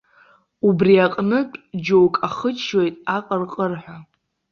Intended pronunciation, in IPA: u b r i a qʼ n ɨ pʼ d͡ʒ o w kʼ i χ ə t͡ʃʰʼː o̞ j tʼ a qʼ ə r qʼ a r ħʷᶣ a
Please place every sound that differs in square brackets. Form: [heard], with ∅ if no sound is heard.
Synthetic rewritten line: u b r i a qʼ n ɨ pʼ d͡ʒ o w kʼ [a] χ ə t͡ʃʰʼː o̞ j tʼ a qʼ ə r qʼ [ə] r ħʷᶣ a

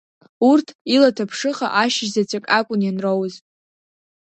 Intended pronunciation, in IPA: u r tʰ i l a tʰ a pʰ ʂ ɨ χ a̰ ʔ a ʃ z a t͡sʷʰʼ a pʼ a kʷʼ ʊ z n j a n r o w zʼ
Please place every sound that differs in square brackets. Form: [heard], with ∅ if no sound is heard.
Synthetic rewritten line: u r tʰ i l a tʰ a pʰ ʂ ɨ χ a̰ ʔ a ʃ z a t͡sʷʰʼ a [kʼ] a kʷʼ ʊ [∅] n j a n r o w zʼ

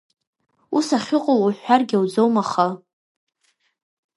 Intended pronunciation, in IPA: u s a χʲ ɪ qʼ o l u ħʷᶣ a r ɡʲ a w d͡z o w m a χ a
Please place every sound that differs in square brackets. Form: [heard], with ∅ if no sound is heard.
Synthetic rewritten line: u s a χʲ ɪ qʼ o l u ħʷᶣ a r ɡʲ a w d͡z o w m a χ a

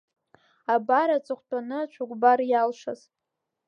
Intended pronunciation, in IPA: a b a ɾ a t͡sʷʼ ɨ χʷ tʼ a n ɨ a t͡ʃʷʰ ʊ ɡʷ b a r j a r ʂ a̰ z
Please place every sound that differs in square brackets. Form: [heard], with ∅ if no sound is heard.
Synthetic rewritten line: a b a ɾ a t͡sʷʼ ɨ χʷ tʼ a n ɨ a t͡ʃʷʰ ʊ ɡʷ b a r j a [l] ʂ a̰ z

